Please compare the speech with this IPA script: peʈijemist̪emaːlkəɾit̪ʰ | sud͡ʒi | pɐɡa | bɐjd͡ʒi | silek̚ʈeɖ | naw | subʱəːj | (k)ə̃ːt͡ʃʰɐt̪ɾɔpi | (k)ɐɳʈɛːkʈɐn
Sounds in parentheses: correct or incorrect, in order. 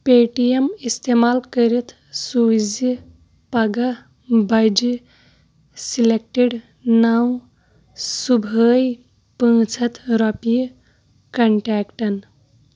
incorrect: p, correct

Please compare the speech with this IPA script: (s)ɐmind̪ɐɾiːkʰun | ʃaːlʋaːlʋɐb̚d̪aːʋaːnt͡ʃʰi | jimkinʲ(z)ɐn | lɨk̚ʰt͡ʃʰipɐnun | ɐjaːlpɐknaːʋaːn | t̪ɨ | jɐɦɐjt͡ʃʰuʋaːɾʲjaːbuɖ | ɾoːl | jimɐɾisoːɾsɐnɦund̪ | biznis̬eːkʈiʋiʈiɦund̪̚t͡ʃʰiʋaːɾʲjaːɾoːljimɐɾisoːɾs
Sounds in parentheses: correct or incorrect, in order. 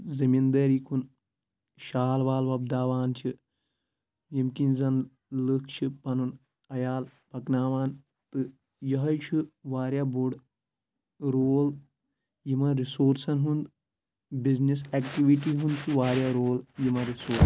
incorrect: z, correct

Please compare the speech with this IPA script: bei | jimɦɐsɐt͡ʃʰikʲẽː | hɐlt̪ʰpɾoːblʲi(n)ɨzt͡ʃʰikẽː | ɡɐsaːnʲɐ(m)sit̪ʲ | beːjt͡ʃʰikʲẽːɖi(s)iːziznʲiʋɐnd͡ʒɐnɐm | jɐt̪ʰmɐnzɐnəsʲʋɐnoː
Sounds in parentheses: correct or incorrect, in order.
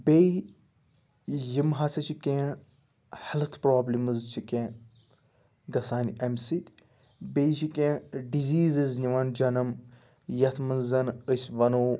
incorrect: m, correct, incorrect: z

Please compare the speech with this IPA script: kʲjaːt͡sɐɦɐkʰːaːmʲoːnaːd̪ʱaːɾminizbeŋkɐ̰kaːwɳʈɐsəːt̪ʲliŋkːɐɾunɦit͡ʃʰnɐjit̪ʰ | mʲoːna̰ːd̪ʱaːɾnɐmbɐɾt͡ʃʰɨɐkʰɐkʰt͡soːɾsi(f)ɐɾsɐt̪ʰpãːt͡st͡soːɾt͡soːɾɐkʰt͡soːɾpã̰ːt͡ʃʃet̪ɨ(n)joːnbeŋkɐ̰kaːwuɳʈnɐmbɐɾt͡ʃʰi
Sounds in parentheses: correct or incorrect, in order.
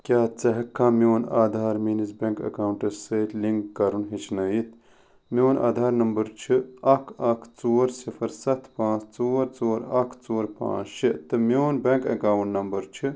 correct, incorrect: m

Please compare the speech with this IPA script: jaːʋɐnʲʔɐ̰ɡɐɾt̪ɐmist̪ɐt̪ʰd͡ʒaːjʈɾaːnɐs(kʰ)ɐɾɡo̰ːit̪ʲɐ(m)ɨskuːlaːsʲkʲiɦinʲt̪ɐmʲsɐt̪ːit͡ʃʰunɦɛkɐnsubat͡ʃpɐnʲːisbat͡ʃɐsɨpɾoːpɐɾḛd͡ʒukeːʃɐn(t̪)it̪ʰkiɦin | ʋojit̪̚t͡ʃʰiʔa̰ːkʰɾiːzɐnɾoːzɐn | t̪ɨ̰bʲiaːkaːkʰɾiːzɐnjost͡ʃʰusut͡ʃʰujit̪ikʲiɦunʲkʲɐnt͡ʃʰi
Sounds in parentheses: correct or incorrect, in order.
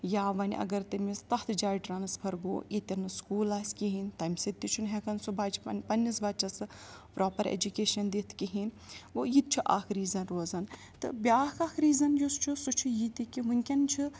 incorrect: pʰ, incorrect: n, incorrect: d̪

